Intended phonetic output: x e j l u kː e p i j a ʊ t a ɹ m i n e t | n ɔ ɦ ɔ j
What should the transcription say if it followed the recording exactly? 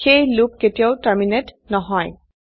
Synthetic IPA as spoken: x e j l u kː e t i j a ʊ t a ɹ m i n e t | n ɔ ɦ ɔ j